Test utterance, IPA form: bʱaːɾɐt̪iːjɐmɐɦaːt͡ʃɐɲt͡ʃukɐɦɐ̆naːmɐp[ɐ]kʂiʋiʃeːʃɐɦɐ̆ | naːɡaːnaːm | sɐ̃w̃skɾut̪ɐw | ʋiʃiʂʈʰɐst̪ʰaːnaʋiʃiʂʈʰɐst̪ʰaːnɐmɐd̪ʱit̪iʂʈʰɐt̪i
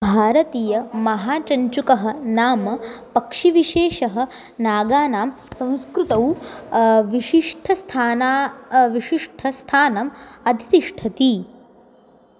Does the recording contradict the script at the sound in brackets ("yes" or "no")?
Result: no